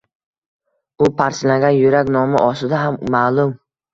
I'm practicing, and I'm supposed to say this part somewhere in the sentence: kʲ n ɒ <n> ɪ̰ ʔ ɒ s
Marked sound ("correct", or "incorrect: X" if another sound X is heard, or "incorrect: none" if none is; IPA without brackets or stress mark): incorrect: m